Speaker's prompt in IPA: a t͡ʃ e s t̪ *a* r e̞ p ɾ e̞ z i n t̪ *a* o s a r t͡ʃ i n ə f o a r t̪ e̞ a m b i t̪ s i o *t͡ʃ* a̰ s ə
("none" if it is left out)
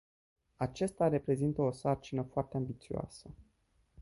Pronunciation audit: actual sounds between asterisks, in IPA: a, ə, none

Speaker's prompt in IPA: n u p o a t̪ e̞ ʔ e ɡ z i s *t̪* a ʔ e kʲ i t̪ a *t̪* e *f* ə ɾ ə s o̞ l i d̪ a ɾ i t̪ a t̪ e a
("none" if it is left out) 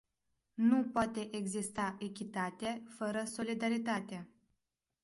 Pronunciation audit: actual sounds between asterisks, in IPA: t̪, t̪, f

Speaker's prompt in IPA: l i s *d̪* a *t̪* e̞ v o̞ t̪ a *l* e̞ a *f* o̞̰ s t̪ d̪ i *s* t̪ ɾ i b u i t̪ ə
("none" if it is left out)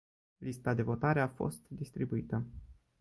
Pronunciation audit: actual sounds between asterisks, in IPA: t̪, d̪, ɾ, f, s

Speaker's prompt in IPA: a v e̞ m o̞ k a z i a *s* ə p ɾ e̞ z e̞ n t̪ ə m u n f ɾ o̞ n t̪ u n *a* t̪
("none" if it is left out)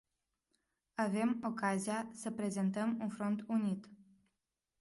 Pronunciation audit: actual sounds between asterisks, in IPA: s, i

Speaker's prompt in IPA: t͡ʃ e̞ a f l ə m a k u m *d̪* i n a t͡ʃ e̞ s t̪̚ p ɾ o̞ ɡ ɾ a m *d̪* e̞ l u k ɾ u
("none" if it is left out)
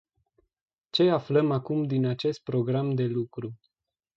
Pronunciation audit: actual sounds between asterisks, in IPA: d̪, d̪

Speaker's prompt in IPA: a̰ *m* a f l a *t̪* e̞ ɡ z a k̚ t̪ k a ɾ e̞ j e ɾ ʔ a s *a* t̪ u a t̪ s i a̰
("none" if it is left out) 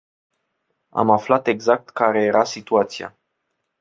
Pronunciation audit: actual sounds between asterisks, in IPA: m, t̪, i

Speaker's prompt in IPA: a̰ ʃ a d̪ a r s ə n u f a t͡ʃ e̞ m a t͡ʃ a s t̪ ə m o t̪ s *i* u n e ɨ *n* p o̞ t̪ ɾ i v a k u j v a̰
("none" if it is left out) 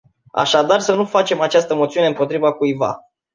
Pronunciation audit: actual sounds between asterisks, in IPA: i, m

